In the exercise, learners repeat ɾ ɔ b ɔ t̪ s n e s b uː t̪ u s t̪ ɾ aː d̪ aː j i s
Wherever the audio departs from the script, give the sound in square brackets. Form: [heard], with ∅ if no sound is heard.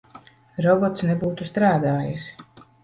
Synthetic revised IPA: ɾ ɔ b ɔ t̪ s n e [∅] b uː t̪ u s t̪ ɾ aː d̪ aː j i s